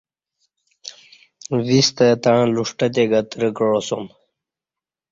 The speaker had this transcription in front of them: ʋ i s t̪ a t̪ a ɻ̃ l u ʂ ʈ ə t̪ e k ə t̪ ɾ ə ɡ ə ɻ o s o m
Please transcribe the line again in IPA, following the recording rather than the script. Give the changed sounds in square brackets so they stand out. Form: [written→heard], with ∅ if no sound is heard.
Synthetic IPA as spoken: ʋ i s t̪ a t̪ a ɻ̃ l u ʂ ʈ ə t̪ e [k→ɡ] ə t̪ ɾ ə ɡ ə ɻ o s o m